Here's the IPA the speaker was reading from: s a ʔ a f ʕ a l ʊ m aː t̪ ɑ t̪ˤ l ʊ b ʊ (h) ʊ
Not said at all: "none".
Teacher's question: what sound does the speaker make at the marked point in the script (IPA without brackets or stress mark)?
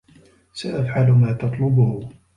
h